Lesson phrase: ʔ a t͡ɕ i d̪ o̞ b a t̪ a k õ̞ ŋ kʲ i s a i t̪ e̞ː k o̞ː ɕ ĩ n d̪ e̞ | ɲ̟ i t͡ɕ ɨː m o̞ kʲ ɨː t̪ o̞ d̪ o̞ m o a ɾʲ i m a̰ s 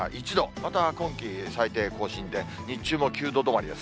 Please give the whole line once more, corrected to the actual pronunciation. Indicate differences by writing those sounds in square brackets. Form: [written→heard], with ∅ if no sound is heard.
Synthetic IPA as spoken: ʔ [a→i] t͡ɕ i d̪ o̞ [b→m] a t̪ a k õ̞ ŋ kʲ i s a i t̪ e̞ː k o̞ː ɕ ĩ n d̪ e̞ | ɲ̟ i t͡ɕ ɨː m o̞ kʲ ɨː [t̪→d̪] o̞ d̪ o̞ m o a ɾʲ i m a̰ s